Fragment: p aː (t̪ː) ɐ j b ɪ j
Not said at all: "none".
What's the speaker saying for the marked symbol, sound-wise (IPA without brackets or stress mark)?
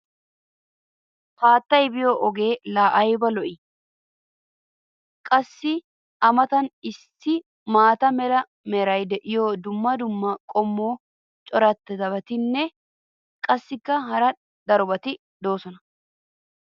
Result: t̪ː